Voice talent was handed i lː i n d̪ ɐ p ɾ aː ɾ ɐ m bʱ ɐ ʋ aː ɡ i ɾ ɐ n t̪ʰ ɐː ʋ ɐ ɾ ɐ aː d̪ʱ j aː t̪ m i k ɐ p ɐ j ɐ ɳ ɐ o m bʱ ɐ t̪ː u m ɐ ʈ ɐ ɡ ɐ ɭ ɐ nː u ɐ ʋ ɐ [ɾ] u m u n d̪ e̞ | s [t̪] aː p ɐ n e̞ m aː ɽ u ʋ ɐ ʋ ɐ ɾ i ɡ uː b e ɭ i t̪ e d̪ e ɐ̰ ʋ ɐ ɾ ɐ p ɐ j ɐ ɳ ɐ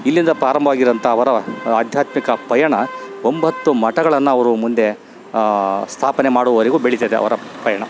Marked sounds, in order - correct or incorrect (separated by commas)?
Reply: correct, incorrect